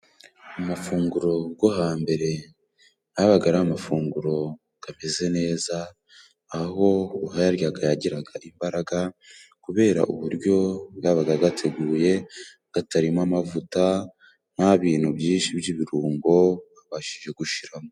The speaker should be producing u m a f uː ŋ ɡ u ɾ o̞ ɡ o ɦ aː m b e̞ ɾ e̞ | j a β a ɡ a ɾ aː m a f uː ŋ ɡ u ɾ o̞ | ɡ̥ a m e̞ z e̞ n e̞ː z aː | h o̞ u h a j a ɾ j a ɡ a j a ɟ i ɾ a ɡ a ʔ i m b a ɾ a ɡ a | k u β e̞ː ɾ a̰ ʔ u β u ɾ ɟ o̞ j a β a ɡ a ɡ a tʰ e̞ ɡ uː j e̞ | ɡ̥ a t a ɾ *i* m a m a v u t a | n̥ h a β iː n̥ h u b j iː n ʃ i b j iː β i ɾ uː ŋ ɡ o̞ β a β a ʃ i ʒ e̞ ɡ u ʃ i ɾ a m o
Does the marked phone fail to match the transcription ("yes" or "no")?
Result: no